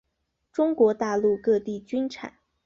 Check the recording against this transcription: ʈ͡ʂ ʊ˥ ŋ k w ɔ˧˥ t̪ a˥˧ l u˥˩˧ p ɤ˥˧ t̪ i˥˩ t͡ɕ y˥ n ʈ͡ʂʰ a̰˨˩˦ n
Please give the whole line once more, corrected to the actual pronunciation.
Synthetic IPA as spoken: ʈ͡ʂ ʊ˥ ŋ k w ɔ˧˥ t̪ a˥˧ l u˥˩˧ k ɤ˥˧ t̪ i˥˩ t͡ɕ y˥ n ʈ͡ʂʰ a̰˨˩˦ n